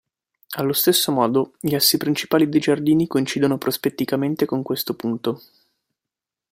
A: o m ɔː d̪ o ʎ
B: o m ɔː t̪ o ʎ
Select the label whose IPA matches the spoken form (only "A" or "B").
A